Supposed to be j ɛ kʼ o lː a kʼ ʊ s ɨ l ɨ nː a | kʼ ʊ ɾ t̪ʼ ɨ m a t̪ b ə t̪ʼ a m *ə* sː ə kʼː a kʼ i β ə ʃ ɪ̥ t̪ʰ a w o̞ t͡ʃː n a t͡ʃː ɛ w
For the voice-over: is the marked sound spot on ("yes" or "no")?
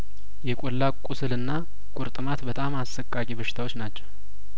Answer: no